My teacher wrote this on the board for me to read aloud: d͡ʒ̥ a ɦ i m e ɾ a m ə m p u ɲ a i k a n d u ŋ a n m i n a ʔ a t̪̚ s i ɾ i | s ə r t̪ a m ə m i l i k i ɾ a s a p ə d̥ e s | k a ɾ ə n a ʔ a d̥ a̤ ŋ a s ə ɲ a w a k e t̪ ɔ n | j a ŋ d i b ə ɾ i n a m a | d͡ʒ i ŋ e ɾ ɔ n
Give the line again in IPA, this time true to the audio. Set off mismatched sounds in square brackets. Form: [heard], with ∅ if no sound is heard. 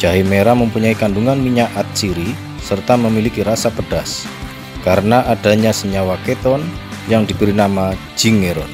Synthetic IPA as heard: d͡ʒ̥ a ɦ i m e ɾ a m ə m p u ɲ a i k a n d u ŋ a n m i [ɲ] a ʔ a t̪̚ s i ɾ i | s ə r t̪ a m ə m i l i k i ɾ a s a p ə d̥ [a] s | k a ɾ ə n a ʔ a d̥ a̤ [ɲ] a s ə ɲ a w a k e t̪ ɔ n | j a ŋ d i b ə ɾ i n a m a | d͡ʒ i ŋ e ɾ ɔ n

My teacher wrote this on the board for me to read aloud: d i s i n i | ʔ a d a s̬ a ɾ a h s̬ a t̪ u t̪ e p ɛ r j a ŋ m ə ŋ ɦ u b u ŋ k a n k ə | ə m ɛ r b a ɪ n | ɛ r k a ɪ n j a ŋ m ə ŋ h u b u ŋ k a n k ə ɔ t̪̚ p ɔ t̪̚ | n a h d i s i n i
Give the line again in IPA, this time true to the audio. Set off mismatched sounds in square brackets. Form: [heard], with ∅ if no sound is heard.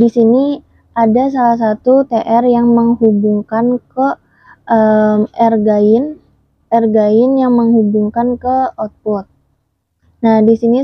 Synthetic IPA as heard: d i s i n i | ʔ a d a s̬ a [l] a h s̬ a t̪ u t̪ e [ʔ] ɛ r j a ŋ m ə ŋ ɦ u b u ŋ k a n k ə | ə m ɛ r [ɡ] a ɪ n | ɛ r [ɡ] a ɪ n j a ŋ m ə ŋ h u b u ŋ k a n k ə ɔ t̪̚ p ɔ t̪̚ | n a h d i s i n i

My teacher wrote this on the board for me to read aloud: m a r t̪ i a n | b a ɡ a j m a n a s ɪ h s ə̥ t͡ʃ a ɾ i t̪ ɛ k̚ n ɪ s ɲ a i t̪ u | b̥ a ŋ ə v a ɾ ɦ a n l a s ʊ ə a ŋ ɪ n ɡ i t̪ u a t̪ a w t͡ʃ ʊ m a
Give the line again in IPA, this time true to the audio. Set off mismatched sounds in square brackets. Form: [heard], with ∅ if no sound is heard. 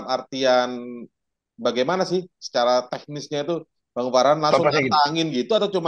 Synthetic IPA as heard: m a r t̪ i a n | b a ɡ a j m a n a s ɪ h s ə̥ t͡ʃ a ɾ [a] t̪ ɛ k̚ n ɪ s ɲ a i t̪ u | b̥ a ŋ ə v a ɾ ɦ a n l a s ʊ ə a ŋ ɪ n ɡ i t̪ u a t̪ a w t͡ʃ [u] m a

